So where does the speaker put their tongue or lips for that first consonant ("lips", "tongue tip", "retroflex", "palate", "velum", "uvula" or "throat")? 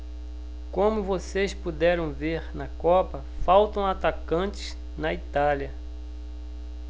velum